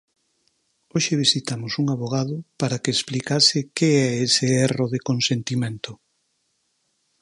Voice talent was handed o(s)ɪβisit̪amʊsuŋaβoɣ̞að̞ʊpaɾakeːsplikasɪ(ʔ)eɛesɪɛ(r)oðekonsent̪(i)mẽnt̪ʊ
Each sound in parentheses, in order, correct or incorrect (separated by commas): incorrect, incorrect, correct, correct